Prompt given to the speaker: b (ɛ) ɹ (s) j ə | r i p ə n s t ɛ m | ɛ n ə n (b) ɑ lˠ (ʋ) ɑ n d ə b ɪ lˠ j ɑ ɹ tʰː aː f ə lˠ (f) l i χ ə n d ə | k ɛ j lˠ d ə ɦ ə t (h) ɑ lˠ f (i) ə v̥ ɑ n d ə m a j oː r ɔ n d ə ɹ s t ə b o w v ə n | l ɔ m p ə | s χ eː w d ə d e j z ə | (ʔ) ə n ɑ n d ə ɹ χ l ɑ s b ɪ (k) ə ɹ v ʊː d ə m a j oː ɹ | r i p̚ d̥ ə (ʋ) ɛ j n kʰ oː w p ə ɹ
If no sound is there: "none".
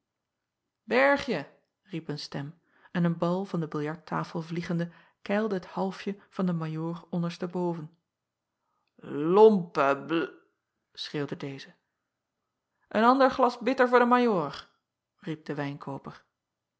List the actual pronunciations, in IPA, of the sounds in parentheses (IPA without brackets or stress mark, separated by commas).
ɛ, χ, b, v, v, h, j, ʔ, t, ʋ